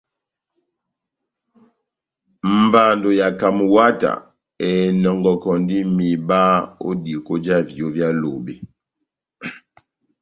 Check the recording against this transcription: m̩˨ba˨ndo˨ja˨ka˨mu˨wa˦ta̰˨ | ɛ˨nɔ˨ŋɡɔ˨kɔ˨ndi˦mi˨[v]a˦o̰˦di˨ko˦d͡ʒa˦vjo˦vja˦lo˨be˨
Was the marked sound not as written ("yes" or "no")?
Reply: yes